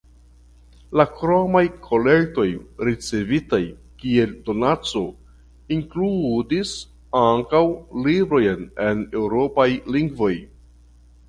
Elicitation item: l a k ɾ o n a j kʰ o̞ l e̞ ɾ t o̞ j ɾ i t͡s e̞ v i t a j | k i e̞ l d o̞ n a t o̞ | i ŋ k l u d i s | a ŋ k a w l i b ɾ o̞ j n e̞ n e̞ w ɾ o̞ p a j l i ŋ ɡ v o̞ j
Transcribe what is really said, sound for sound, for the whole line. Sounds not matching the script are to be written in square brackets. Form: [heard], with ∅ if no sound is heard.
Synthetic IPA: l a k ɾ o [m] a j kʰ o̞ l e̞ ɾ t o̞ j ɾ i t͡s e̞ v i t a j | k i e̞ l d o̞ n a [t͡s] o̞ | i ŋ k l u d i s | a ŋ k a w l i b ɾ o̞ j n e̞ n e̞ w ɾ o̞ p a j l i ŋ ɡ v o̞ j